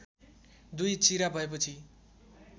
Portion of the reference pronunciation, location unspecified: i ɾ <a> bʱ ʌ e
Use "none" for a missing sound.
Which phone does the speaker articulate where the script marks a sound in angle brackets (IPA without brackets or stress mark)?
a